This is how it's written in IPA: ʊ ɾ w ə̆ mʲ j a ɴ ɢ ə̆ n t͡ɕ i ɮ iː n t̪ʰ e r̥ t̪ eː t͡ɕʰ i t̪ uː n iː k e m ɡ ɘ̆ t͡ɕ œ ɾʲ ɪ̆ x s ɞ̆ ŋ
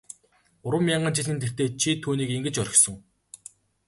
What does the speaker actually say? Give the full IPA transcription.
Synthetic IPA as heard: ʊ ɾ w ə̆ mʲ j a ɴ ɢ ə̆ n t͡ɕ i ɮ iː n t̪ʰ e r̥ t̪ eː t͡ɕʰ i t̪ʰ uː n iː k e ŋ ɡ ɘ̆ t͡ɕ œ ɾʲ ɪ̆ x s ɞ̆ ŋ